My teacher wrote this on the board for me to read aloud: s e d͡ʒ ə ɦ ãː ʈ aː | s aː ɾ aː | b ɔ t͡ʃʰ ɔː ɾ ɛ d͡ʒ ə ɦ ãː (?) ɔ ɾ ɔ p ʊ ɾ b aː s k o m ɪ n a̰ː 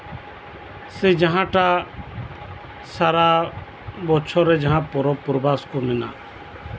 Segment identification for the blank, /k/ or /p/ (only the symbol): p